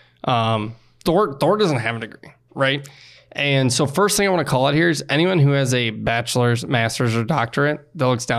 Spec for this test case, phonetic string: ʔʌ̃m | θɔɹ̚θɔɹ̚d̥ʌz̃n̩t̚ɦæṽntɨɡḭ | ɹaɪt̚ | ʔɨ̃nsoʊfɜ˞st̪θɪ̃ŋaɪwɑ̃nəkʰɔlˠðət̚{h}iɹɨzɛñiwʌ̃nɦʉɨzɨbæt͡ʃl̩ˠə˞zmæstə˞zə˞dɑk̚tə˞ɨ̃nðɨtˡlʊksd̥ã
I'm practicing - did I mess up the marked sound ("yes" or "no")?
no